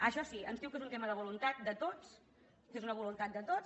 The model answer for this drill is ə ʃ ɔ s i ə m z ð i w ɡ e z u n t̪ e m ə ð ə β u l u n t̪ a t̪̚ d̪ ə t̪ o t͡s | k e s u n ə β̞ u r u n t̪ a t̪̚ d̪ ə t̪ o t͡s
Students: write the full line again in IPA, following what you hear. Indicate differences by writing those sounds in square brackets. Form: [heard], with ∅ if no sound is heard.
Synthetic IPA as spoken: ə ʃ ɔ s i ə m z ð i w [k] e z u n t̪ e m ə ð ə β u l u n t̪ a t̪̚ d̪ ə t̪ o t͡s | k e [z] u n ə β̞ u [l] u n t̪ a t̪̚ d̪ ə t̪ o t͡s